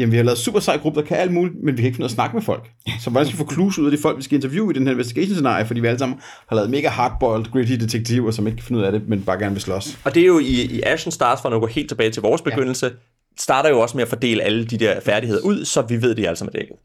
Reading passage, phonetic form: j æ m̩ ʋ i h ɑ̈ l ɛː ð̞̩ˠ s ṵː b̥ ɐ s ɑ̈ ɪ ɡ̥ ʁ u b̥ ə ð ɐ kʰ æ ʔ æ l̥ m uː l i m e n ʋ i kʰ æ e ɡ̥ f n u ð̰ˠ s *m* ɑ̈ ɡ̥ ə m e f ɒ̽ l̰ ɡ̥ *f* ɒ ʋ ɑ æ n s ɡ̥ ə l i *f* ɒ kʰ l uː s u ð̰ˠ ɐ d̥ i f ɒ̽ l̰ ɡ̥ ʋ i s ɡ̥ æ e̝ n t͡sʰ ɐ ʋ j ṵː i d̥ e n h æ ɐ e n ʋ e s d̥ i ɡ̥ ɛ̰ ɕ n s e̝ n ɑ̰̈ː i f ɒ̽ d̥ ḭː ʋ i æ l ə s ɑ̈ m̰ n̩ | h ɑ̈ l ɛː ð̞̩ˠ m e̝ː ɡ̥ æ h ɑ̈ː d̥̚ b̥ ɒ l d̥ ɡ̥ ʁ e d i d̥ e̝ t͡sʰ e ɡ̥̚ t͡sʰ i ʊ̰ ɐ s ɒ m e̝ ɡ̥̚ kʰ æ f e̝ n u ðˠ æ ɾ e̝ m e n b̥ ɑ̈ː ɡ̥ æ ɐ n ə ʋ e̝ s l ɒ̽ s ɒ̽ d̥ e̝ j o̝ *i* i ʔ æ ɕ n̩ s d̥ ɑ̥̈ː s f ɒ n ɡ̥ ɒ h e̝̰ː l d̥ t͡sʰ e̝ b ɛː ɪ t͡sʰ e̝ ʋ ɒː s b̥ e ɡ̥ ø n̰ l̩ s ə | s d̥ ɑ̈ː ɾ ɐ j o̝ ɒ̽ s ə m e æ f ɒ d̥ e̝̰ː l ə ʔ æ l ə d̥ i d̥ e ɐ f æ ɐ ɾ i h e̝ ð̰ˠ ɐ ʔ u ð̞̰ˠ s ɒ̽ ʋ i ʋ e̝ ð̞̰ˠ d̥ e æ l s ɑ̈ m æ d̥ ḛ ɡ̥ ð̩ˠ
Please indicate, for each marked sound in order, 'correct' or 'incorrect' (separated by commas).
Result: incorrect, incorrect, correct, correct